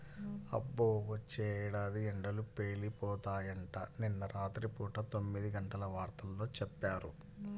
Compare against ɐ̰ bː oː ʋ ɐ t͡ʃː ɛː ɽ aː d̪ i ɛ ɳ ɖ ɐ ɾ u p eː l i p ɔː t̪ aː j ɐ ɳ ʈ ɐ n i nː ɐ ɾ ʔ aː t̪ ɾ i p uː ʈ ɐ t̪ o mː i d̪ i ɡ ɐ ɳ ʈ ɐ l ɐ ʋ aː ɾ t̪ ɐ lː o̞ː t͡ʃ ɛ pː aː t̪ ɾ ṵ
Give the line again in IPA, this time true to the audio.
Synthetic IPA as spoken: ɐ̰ bː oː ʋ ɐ t͡ʃː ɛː ɽ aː d̪ i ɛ ɳ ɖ ɐ l u p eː l i p ɔː t̪ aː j ɐ ɳ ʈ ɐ n i nː ɐ ɾ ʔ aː t̪ ɾ i p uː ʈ ɐ t̪ o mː i d̪ i ɡ ɐ ɳ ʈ ɐ l ɐ ʋ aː ɾ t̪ ɐ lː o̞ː t͡ʃ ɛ pː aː ɾ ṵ